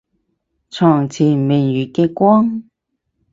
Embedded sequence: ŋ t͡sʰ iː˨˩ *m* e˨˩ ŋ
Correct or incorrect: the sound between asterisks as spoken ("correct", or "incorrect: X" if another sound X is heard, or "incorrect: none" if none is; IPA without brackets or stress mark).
correct